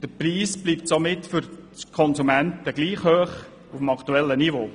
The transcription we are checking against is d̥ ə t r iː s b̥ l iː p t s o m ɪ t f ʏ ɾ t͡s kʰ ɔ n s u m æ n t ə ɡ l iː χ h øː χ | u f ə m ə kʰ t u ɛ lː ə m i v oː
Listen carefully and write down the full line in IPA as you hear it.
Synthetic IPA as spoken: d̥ ə p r iː s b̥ l iː p t s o m ɪ t f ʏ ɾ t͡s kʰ ɔ n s u m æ n t ə ɡ l iː χ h øː χ | u f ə m ɑ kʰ t u ɛ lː ə n i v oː